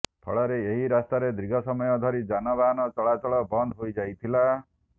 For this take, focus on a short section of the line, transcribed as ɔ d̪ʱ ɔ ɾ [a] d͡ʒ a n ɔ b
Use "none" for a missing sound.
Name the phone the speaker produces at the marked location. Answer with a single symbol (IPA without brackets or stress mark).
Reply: i